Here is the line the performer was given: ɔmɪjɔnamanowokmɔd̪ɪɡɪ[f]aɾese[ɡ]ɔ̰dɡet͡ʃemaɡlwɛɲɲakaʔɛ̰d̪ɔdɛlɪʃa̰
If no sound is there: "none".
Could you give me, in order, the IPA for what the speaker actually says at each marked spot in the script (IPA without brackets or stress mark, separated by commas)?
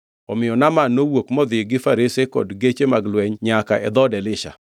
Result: f, k